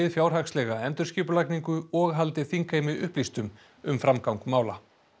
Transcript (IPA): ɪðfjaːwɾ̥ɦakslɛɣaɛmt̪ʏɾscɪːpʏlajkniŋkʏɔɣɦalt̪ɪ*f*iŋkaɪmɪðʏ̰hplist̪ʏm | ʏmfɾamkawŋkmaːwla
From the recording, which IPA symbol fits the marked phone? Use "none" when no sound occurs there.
θ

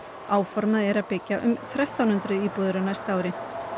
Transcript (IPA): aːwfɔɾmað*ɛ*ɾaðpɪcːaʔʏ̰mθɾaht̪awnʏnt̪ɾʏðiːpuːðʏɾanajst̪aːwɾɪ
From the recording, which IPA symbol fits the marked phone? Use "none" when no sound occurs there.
ɛ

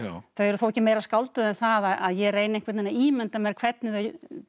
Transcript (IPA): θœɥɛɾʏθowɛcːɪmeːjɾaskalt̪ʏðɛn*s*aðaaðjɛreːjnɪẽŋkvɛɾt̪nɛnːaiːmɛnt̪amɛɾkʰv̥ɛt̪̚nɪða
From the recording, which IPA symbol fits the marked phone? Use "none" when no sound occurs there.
θ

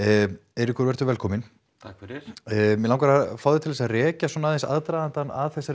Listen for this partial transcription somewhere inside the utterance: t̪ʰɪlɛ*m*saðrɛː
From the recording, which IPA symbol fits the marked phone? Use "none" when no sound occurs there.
none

